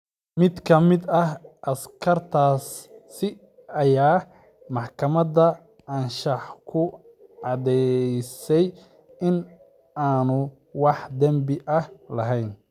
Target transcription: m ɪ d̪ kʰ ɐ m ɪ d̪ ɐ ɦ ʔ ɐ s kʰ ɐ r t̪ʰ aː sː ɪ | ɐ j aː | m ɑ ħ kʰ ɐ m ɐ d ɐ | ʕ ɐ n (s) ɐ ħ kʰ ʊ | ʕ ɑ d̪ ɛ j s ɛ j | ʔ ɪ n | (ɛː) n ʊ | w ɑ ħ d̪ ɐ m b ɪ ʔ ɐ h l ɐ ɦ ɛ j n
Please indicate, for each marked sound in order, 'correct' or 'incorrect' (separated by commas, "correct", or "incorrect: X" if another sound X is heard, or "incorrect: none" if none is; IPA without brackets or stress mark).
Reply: incorrect: ʃ, incorrect: aː